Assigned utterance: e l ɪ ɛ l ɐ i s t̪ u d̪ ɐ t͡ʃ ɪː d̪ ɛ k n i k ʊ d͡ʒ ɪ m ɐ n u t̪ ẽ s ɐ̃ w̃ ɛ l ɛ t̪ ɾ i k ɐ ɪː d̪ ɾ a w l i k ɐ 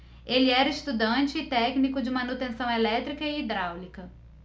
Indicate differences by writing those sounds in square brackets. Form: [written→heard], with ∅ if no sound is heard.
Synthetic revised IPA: e l ɪ ɛ [l→ɾ] ɐ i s t̪ u d̪ [ɐ→ɐ̃] t͡ʃ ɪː [d̪→t̪] ɛ k n i k ʊ d͡ʒ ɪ m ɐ n u t̪ ẽ s ɐ̃ w̃ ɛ l ɛ t̪ ɾ i k ɐ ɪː d̪ ɾ a w l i k ɐ